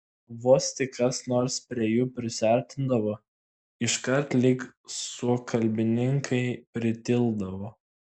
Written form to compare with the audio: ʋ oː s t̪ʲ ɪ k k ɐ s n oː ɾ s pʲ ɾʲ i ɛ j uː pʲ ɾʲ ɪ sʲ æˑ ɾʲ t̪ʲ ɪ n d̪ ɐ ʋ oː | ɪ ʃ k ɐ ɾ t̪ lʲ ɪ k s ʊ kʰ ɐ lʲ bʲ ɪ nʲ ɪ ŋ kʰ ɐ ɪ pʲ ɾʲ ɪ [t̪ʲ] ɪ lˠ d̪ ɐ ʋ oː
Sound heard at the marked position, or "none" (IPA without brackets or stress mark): t̪ʲ